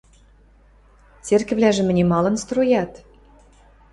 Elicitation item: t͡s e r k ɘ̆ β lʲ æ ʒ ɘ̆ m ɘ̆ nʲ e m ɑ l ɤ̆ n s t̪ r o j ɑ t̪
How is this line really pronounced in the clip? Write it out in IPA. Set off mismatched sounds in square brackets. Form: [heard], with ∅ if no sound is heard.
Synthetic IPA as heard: t͡s e r k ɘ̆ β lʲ æ ʒ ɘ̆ m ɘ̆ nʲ e m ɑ l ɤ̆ n s t̪ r o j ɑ t̪